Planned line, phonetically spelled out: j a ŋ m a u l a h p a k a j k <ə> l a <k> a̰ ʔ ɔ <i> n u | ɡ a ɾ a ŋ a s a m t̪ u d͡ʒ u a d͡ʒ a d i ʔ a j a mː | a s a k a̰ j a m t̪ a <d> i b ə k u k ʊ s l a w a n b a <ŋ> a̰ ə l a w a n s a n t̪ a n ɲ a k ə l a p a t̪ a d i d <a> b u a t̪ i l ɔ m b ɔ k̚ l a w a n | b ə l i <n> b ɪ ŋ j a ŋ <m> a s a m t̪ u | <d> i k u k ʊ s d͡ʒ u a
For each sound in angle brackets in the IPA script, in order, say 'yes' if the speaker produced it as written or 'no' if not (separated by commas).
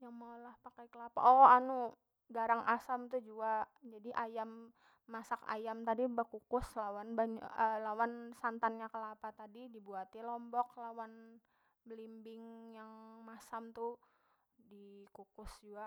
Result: yes, no, no, yes, no, no, no, yes, yes